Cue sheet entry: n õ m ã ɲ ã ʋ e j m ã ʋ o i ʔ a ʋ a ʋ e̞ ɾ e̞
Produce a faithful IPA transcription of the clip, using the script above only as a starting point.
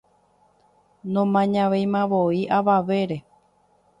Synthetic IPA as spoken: n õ m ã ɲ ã ʋ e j m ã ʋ o i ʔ a ʋ a ʋ e̞ ɾ e̞